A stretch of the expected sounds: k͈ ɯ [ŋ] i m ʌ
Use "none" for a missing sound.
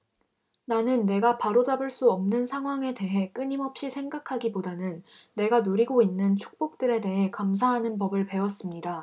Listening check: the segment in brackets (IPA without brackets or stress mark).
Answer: ɲ